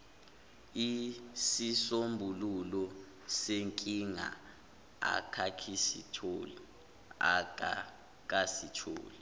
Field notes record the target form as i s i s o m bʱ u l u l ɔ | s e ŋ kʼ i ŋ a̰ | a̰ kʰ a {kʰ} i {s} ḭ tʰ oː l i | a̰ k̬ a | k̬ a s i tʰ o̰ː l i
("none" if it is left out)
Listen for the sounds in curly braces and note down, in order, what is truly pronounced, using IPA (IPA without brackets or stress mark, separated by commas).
kʰ, s